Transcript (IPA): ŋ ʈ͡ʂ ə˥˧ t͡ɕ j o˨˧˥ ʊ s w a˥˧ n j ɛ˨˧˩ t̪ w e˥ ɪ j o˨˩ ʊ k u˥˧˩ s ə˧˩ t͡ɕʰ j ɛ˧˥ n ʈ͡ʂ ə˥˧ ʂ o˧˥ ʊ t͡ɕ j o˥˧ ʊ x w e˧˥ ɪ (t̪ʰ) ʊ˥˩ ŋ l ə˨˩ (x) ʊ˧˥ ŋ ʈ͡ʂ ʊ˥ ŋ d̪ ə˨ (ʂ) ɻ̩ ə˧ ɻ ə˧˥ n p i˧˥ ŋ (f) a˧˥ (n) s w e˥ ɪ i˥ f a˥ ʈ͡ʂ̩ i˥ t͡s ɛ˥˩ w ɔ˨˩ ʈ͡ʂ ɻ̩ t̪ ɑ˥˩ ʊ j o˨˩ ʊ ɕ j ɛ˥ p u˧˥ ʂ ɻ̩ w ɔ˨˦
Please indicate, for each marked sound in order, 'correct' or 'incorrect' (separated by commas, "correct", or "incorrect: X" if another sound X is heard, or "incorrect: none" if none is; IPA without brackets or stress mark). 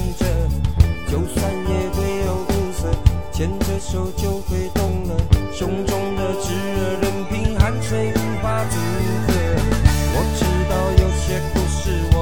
incorrect: t̪, incorrect: ɕ, incorrect: ʈ͡ʂ, incorrect: x, correct